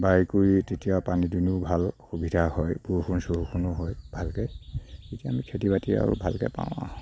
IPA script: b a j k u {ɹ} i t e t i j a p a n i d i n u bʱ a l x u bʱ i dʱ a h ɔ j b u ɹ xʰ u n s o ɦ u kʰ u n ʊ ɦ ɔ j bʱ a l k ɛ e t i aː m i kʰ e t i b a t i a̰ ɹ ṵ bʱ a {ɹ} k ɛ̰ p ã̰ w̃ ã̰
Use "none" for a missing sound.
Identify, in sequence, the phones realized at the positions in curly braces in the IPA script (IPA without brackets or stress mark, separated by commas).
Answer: ɹ, l